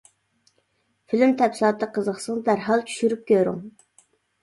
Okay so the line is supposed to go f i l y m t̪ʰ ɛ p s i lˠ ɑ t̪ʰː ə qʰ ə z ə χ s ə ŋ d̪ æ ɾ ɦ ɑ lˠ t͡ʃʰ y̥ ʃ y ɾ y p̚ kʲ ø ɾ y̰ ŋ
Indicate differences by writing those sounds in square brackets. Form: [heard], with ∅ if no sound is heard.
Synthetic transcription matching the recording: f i l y m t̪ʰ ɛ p s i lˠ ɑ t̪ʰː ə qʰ ə z ə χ s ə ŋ d̪ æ ɾ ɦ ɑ lˠ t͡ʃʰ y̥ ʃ y ɾ y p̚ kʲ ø ɾ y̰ ŋ